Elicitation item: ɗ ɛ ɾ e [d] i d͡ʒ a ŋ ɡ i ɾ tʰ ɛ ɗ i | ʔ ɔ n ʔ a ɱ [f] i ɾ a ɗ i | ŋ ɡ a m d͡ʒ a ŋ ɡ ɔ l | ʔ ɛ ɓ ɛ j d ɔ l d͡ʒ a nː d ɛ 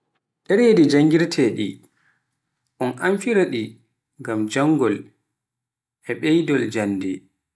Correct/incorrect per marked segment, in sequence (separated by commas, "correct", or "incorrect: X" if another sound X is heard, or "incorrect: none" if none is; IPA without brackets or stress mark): correct, correct